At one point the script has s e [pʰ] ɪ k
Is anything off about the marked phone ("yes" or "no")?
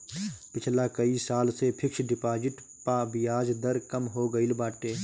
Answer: no